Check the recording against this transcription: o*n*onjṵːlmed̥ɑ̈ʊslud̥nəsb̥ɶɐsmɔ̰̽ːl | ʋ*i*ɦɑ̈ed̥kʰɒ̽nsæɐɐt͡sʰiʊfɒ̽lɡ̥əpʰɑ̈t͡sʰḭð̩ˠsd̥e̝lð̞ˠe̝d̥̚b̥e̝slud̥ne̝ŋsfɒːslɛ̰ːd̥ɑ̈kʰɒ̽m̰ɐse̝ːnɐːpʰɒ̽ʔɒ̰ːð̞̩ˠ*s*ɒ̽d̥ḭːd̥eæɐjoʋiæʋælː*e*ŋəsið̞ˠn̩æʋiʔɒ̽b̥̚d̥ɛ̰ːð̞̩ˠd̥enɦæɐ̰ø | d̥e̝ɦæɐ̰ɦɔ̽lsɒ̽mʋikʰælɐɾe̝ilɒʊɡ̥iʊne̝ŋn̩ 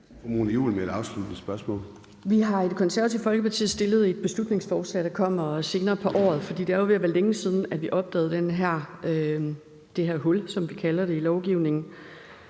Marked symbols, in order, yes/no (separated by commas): no, yes, no, yes